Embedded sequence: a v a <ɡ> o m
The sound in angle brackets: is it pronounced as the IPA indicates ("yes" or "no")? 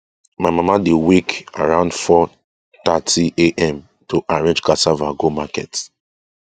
yes